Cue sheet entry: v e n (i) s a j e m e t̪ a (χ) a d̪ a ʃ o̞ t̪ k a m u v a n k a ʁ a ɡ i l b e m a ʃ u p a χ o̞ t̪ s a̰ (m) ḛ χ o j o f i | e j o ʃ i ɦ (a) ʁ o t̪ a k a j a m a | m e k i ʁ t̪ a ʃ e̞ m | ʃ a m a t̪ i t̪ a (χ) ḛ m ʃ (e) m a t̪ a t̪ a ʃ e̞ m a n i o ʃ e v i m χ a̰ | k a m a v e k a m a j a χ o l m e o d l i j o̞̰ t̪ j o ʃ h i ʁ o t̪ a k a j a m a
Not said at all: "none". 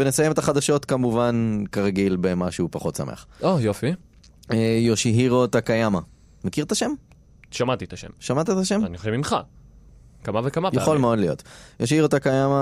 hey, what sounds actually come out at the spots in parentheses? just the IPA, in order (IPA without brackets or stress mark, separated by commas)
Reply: e, χ, m, i, ʃ, a